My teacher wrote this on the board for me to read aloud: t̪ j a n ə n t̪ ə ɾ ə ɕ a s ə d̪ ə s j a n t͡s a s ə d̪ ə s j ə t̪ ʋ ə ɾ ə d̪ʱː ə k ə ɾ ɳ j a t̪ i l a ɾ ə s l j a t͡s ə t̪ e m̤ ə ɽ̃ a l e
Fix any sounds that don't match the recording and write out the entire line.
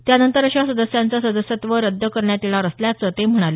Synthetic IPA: t̪ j a n ə n t̪ ə ɾ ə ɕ a s ə d̪ ə s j a n t͡s a s ə d̪ ə s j ə t̪ ʋ ə ɾ ə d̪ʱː ə k ə ɾ ɳ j a t̪ i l a ɾ ə s l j a t͡s ə t̪ e m̤ ə ɽ̃ a l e